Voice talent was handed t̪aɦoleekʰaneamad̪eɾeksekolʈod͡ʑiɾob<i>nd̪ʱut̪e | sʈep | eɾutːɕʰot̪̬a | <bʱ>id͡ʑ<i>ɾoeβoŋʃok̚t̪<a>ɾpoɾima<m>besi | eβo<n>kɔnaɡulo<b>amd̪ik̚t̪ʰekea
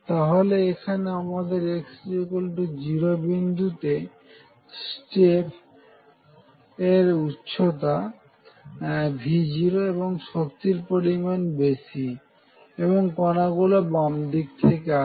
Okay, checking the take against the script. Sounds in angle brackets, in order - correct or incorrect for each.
correct, correct, correct, incorrect, incorrect, incorrect, correct

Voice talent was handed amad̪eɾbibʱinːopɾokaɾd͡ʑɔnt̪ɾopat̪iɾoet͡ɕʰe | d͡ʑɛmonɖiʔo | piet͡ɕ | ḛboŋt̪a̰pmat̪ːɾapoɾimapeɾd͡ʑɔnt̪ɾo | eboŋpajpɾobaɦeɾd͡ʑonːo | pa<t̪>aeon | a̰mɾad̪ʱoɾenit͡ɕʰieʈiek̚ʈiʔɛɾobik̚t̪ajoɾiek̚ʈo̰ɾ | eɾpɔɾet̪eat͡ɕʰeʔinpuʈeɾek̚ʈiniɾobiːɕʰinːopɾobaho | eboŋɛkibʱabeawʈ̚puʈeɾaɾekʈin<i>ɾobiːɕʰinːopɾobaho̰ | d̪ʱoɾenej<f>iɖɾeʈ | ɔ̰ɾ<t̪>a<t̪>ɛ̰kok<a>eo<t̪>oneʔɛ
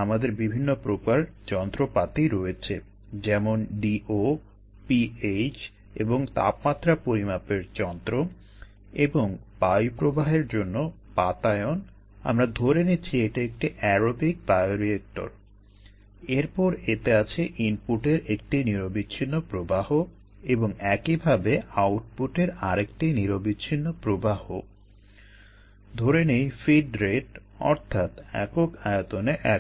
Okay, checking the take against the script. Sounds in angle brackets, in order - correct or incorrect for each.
correct, correct, correct, incorrect, correct, correct, correct

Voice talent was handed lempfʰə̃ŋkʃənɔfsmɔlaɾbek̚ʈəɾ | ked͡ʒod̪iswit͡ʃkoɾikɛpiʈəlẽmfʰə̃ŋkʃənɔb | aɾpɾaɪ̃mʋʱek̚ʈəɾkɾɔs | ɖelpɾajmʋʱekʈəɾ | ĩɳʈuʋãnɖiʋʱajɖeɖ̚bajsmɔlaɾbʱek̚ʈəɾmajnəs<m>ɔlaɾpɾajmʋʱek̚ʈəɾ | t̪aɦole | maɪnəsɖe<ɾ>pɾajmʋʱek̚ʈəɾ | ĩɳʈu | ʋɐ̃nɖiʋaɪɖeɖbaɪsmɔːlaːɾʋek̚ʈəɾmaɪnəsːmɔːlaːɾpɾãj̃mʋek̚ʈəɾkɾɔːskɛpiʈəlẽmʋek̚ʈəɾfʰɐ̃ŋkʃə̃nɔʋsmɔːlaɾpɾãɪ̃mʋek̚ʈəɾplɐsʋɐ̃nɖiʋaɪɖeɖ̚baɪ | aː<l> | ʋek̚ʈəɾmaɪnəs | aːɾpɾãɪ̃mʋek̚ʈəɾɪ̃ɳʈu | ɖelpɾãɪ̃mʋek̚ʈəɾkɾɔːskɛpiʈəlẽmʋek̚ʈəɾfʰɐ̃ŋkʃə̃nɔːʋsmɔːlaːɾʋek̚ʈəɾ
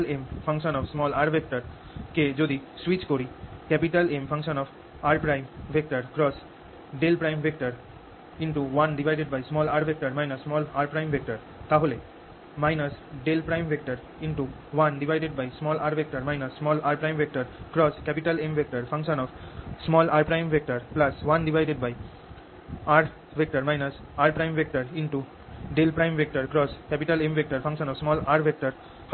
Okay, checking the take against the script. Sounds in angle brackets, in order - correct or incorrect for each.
correct, incorrect, incorrect

